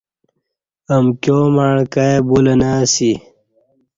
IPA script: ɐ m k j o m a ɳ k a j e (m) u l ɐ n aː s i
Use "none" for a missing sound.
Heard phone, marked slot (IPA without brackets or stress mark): b